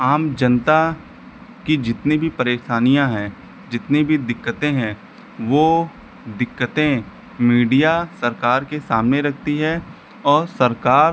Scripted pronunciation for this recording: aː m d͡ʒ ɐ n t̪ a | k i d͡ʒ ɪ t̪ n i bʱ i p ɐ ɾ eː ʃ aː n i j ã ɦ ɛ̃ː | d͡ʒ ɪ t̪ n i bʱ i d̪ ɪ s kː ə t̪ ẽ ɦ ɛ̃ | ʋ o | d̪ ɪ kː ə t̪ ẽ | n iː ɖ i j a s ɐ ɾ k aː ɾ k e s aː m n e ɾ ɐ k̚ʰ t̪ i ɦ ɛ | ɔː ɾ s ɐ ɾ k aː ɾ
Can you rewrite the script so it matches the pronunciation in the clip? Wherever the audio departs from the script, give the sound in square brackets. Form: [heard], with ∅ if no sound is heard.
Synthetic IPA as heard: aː m d͡ʒ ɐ n t̪ a | k i d͡ʒ ɪ t̪ n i bʱ i p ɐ ɾ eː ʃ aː n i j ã ɦ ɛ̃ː | d͡ʒ ɪ t̪ n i bʱ i d̪ ɪ [∅] kː ə t̪ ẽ ɦ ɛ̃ | ʋ o | d̪ ɪ kː ə t̪ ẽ | [m] iː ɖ i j a s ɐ ɾ k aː ɾ k e s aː m n e ɾ ɐ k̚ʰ t̪ i ɦ ɛ | ɔː ɾ s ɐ ɾ k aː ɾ

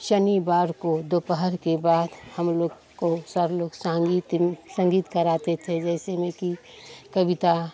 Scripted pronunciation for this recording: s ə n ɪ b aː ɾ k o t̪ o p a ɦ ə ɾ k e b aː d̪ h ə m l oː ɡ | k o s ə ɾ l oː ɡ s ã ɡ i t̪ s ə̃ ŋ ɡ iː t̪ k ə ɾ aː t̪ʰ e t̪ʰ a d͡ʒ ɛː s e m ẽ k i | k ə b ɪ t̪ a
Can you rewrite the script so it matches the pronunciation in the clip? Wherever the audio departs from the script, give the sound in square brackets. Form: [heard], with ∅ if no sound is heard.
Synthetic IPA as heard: [ʃ] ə n [i] b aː ɾ k o [d̪] o p [ə] ɦ ə ɾ k e b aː d̪ h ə m l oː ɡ | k o s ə ɾ l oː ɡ s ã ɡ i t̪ s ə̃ ŋ ɡ iː t̪ k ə ɾ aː [t̪] e t̪ʰ [e] d͡ʒ ɛː s e m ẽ k i | k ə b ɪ t̪ a

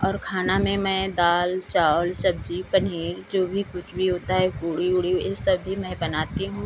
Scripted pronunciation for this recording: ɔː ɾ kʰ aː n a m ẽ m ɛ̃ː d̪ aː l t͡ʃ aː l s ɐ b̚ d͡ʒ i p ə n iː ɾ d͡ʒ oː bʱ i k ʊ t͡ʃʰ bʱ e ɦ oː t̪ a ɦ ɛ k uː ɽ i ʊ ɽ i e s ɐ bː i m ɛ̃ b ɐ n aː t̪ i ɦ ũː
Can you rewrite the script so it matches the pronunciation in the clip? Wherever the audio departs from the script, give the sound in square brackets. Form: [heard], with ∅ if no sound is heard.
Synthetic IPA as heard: ɔː ɾ kʰ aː n a m ẽ m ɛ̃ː d̪ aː l t͡ʃ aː l s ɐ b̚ d͡ʒ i p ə n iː ɾ d͡ʒ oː bʱ i k ʊ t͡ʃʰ bʱ [i] ɦ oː t̪ a ɦ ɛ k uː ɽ i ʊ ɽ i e s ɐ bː i m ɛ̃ b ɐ n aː t̪ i ɦ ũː

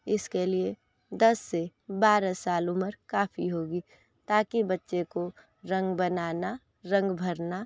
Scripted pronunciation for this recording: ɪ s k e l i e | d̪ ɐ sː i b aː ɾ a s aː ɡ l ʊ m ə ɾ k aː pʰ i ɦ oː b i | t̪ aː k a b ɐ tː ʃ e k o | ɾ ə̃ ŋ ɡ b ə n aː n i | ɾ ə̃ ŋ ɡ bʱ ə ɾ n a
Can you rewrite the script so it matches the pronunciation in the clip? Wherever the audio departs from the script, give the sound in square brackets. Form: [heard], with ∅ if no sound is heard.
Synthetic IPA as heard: ɪ s k e l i e | d̪ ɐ sː [e] b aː ɾ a s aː [∅] l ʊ m ə ɾ k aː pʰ i ɦ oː [ɡ] i | t̪ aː k [i] b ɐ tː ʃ e k o | ɾ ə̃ ŋ ɡ b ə n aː n [a] | ɾ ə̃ ŋ ɡ bʱ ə ɾ n a

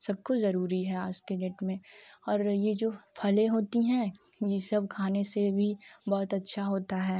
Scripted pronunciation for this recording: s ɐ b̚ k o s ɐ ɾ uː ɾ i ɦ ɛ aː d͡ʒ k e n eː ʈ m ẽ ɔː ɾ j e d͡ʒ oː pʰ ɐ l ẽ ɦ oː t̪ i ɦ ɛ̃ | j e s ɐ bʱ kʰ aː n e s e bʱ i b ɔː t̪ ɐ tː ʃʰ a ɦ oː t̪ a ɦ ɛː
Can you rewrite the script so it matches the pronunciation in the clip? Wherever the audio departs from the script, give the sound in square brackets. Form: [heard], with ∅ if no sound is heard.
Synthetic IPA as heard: s ɐ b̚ k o [z] ɐ ɾ uː ɾ i ɦ ɛ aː d͡ʒ k e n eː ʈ m ẽ ɔː ɾ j e d͡ʒ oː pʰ ɐ l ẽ ɦ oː t̪ i ɦ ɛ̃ | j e s ɐ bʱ kʰ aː n e s e bʱ i b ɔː t̪ ɐ tː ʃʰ a ɦ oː t̪ a ɦ ɛː

